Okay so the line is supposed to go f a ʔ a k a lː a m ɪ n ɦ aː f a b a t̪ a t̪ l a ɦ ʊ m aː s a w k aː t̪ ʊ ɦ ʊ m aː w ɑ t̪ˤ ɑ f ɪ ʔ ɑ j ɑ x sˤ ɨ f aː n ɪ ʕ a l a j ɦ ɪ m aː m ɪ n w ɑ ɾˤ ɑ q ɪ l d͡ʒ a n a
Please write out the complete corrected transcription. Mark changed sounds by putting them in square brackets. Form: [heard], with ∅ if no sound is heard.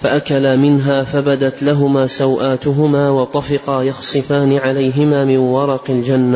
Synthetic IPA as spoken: f a ʔ a k a [l] a m ɪ n ɦ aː f a b a [d̪] a t̪ l a ɦ ʊ m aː s a w [ʔ] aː t̪ ʊ ɦ ʊ m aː w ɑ t̪ˤ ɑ f ɪ [q] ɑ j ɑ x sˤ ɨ f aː n ɪ ʕ a l a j ɦ ɪ m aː m ɪ n w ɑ ɾˤ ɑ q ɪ l d͡ʒ a [nː] a